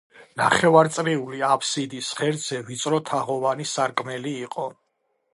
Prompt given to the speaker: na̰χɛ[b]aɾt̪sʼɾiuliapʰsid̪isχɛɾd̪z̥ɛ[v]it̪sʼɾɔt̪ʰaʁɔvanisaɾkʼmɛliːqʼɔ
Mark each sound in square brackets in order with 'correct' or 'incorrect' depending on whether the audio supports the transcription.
incorrect, correct

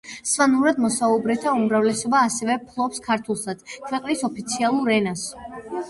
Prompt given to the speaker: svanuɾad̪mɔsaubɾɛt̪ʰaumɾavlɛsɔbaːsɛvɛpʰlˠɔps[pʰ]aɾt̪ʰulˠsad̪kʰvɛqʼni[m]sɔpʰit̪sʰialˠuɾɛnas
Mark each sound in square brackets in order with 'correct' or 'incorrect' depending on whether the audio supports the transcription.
incorrect, incorrect

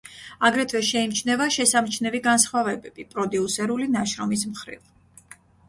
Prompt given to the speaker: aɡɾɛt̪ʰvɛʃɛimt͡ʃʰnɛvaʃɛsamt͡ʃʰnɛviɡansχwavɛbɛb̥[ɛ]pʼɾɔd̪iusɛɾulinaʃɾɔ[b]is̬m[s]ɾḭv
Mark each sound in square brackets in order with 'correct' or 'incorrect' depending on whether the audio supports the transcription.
incorrect, incorrect, incorrect

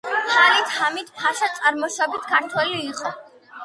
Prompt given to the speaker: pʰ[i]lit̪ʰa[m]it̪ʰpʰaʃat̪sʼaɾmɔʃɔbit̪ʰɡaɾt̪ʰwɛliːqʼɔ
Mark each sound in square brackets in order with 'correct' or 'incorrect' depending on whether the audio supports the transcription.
incorrect, correct

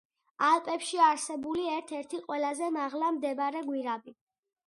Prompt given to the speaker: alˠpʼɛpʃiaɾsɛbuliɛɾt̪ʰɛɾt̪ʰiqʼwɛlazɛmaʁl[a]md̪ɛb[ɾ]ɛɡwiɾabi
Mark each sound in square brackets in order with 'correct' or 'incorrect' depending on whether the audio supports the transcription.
correct, correct

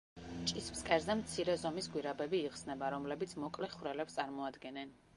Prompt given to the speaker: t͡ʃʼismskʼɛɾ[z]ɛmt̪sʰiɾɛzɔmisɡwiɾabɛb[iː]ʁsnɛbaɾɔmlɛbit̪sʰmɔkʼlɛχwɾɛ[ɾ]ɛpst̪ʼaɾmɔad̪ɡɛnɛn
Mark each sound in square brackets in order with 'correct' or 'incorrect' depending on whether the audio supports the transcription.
correct, correct, incorrect

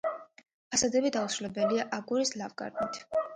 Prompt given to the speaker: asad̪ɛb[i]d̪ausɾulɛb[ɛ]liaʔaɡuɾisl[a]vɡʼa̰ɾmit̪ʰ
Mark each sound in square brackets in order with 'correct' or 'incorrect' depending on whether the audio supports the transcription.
correct, correct, correct

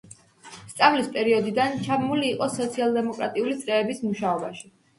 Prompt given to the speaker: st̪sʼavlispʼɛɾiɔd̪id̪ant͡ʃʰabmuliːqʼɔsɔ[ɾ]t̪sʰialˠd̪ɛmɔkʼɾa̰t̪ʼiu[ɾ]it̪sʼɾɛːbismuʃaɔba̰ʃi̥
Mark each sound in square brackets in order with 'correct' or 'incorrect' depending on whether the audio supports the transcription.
incorrect, incorrect

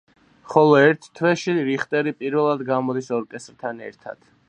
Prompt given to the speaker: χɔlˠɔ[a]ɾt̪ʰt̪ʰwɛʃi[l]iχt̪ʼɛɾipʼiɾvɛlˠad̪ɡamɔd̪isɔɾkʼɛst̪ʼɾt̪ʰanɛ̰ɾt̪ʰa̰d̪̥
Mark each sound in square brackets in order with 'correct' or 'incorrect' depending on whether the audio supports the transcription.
incorrect, incorrect

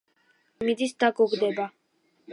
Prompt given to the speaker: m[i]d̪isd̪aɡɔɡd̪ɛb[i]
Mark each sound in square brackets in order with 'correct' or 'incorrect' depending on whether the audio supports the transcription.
correct, incorrect

